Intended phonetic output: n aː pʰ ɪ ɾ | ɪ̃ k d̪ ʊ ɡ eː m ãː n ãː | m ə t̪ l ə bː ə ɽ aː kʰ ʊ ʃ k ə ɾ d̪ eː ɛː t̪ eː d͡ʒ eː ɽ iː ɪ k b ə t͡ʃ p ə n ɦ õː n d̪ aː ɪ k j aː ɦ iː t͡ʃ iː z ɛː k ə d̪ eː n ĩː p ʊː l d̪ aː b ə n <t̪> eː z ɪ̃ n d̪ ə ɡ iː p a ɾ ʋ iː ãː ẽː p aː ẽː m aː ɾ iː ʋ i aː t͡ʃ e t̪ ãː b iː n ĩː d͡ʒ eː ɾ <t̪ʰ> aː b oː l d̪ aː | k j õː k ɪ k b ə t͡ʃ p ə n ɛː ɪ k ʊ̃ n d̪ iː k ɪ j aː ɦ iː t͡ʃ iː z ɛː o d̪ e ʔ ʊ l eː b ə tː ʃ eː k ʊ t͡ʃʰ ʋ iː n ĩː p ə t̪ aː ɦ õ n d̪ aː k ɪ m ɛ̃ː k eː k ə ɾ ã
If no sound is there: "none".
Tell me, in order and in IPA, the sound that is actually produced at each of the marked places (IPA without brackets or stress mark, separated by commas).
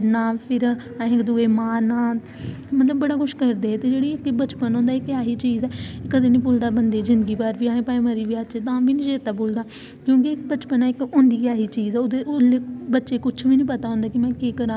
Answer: d̪, t̪